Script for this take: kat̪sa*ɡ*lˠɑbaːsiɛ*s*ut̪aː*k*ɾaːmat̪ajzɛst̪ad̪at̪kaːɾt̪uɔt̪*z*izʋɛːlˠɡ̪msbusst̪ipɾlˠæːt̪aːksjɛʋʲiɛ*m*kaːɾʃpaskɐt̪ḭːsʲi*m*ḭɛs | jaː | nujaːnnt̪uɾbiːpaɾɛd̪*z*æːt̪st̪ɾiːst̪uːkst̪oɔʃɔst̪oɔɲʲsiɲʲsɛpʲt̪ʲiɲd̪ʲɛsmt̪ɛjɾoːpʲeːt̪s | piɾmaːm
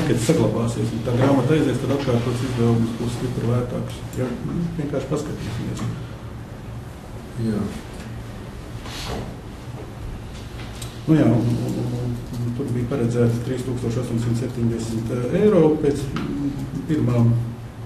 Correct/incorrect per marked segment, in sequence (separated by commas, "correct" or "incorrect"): correct, correct, incorrect, incorrect, incorrect, correct, correct